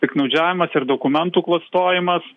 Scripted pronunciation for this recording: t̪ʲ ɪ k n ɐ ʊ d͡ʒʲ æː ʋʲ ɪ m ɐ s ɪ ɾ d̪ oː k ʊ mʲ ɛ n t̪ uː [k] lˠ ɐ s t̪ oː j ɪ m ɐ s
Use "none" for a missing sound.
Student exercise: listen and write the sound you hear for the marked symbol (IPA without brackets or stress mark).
k